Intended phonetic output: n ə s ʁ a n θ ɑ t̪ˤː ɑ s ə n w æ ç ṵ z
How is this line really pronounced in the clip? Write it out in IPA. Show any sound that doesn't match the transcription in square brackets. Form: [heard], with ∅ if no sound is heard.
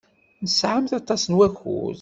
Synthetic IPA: n ə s [ʕ] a [m] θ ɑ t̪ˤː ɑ s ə n w æ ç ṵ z